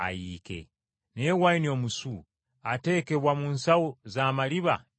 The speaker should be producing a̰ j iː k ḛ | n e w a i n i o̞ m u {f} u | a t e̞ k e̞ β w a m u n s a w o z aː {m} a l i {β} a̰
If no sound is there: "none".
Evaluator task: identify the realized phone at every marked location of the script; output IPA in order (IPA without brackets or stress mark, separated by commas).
s, m, β